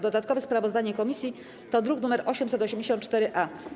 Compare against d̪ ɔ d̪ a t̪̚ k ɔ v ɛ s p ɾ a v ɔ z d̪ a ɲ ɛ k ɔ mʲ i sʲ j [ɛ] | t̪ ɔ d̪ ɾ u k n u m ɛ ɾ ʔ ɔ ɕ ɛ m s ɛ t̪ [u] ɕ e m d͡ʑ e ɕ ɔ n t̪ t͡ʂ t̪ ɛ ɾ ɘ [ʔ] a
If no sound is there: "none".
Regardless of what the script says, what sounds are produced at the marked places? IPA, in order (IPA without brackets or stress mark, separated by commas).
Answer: i, ɔ, ʔ